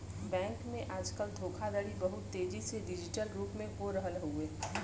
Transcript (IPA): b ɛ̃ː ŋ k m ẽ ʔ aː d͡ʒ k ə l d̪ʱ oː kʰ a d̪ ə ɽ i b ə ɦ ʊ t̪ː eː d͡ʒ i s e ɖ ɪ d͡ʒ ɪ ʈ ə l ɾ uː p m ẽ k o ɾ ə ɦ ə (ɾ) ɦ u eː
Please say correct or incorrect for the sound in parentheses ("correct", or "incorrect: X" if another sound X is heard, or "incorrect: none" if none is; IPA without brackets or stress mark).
incorrect: l